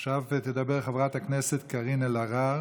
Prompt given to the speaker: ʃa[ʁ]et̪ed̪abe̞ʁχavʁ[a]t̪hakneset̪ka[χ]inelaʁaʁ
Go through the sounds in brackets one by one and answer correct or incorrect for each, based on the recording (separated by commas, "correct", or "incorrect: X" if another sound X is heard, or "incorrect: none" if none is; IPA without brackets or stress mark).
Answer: incorrect: v, correct, incorrect: ʁ